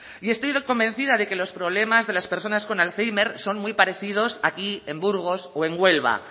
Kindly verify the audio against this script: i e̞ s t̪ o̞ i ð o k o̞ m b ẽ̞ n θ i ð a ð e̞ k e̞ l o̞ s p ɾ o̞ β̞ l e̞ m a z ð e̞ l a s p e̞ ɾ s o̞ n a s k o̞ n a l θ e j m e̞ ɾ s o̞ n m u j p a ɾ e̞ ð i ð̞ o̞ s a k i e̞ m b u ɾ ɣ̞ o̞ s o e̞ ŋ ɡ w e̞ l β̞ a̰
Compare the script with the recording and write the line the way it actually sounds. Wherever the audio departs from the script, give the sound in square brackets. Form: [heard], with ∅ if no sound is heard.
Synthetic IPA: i e̞ s t̪ o̞ [j] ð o k o̞ m b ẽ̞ n θ i ð a ð e̞ k e̞ l o̞ s p ɾ o̞ β̞ l e̞ m a z ð e̞ l a s p e̞ ɾ s o̞ n a s k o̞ n a l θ e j m e̞ ɾ s o̞ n m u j p a ɾ e̞ [θ] i ð̞ o̞ s a k i e̞ m b u ɾ ɣ̞ o̞ s o e̞ ŋ ɡ w e̞ l β̞ a̰